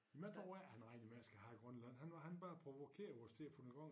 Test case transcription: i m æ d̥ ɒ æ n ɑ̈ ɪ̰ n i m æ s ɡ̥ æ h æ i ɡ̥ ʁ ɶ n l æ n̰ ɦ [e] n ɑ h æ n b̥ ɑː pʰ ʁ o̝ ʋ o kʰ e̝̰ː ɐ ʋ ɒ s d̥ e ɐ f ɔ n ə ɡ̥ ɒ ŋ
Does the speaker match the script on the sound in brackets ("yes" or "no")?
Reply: no